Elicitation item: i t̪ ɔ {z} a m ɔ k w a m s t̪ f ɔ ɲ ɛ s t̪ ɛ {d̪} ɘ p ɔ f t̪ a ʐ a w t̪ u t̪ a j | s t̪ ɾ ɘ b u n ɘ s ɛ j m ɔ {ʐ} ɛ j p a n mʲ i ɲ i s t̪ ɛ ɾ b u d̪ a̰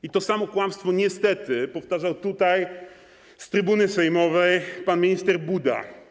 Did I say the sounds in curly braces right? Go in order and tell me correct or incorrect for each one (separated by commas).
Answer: incorrect, incorrect, incorrect